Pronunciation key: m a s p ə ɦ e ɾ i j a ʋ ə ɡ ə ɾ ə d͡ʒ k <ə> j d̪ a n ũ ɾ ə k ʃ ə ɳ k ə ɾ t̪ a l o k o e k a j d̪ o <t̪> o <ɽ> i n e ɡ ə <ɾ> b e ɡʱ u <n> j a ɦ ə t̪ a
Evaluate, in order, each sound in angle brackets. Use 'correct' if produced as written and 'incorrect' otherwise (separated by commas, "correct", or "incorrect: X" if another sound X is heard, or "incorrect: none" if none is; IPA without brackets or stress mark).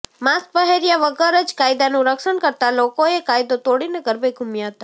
incorrect: a, correct, correct, correct, incorrect: m